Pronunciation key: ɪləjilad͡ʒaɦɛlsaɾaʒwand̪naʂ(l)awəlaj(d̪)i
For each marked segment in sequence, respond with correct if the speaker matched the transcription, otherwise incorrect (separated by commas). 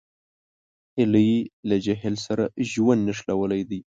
correct, correct